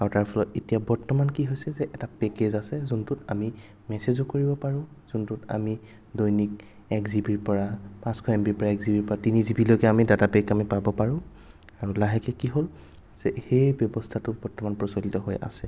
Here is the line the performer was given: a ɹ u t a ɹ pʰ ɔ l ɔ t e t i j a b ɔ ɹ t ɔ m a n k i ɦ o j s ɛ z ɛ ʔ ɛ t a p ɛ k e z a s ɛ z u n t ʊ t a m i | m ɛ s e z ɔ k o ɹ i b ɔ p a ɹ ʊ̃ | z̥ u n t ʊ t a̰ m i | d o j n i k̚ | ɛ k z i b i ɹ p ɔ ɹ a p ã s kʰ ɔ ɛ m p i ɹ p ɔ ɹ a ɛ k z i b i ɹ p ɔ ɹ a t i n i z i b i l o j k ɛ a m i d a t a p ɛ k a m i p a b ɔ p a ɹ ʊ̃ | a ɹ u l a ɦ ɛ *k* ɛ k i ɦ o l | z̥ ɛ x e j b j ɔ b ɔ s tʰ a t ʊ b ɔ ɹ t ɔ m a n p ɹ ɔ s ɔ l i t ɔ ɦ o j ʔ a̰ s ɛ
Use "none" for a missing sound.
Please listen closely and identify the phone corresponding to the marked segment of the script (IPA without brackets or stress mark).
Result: k